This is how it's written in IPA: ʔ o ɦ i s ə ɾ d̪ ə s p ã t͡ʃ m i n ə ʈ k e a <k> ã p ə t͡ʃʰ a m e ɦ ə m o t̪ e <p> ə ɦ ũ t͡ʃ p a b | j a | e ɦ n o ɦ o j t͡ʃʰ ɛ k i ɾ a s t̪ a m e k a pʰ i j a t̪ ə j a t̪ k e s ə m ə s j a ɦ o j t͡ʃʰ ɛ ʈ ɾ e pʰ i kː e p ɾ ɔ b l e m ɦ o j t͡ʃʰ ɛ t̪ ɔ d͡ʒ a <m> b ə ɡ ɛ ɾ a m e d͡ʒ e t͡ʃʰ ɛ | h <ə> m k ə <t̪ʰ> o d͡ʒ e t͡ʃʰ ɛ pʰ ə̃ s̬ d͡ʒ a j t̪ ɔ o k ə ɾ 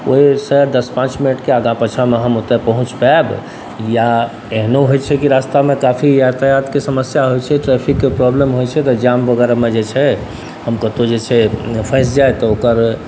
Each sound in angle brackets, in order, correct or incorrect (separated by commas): incorrect, correct, correct, correct, incorrect